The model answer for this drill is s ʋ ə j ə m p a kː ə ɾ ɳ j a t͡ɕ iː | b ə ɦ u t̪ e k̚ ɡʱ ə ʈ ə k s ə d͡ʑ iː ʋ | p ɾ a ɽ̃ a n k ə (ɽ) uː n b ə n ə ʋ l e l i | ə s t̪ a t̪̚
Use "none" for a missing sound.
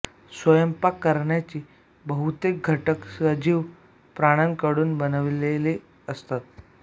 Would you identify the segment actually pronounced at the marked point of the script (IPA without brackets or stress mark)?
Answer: ɽ